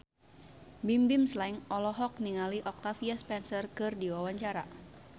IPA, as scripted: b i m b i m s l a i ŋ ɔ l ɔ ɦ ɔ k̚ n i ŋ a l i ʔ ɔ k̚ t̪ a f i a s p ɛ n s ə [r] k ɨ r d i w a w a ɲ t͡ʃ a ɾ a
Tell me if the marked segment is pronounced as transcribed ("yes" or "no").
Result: yes